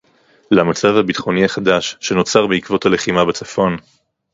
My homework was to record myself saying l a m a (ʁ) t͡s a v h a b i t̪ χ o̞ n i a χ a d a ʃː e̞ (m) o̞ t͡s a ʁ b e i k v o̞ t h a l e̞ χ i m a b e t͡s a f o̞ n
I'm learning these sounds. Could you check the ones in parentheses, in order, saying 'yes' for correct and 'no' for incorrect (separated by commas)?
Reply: no, no